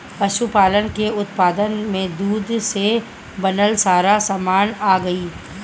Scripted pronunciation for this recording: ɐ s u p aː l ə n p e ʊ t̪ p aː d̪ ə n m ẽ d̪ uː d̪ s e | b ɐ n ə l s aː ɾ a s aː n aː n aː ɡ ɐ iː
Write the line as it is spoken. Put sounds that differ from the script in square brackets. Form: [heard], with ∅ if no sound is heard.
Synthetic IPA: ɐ [ʃ] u p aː l ə n [k] e ʊ t̪ p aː d̪ ə n m ẽ d̪ uː d̪ s e | b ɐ n ə l s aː ɾ a s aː [m] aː n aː ɡ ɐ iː